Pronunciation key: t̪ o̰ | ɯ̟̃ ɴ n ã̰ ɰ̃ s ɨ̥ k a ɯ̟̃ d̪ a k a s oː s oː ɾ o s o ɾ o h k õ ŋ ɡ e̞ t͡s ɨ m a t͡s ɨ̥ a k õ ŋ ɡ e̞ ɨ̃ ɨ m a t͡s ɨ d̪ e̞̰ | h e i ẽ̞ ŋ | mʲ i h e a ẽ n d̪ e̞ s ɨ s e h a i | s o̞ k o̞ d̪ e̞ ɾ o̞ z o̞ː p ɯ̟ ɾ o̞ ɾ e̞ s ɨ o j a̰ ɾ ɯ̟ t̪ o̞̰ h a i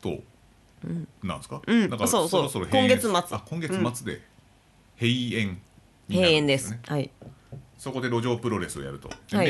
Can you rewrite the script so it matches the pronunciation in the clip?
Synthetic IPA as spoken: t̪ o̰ | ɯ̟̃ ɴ n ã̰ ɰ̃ s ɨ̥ k a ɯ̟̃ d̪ a k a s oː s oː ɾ o s o ɾ o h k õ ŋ ɡ e̞ t͡s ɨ m a t͡s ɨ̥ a k õ ŋ ɡ e̞ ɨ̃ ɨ m a t͡s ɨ d̪ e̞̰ | h e i ẽ̞ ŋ | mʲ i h e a ẽ n d̪ e̞ s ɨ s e h a i | s o̞ k o̞ d̪ e̞ ɾ o̞ ʑ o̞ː p ɯ̟ ɾ o̞ ɾ e̞ s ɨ o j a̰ ɾ ɯ̟ t̪ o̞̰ h a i